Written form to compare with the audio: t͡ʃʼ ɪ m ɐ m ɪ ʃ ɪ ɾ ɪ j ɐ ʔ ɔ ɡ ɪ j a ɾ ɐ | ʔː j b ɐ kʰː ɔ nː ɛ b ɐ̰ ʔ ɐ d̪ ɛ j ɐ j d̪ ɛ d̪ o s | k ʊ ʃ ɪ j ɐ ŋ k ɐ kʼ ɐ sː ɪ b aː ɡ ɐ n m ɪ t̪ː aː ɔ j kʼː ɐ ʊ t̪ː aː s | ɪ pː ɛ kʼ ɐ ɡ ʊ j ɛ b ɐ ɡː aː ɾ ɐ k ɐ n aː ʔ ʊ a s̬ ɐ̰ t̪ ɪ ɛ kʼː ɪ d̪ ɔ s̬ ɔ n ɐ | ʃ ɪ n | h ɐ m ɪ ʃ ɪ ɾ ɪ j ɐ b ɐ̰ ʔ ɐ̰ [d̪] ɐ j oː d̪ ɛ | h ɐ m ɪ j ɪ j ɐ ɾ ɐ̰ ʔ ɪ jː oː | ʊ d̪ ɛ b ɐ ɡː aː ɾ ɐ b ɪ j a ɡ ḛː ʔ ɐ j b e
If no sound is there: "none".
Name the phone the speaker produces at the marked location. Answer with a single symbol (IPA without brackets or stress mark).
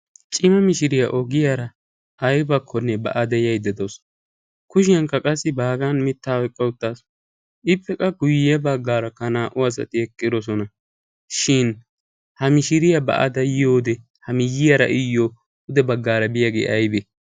d̪